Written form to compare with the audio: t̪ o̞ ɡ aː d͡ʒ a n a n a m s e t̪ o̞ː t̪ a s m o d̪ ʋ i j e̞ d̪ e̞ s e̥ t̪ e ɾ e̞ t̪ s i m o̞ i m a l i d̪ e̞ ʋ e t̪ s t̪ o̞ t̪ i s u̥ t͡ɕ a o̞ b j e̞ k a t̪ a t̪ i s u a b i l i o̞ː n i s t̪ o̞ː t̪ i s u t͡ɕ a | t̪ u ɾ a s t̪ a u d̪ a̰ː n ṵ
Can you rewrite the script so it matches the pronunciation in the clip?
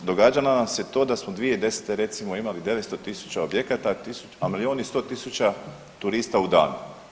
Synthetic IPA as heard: d̪ o̞ ɡ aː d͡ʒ a n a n a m s e t̪ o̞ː d̪ a s m o d̪ ʋ i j e̞ d̪ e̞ s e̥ t̪ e ɾ e̞ t̪ s i m o̞ i m a l i d̪ e̞ ʋ e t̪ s t̪ o̞ t̪ i s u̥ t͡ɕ a o̞ b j e̞ k a t̪ a t̪ i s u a m i l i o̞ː n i s t̪ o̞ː t̪ i s u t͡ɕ a | t̪ u ɾ i s t̪ a u d̪ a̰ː n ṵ